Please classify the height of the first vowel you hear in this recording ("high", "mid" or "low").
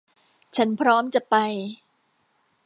low